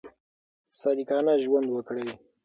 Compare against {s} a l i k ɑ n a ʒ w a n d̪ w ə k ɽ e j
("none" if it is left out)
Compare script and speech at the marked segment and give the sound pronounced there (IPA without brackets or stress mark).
s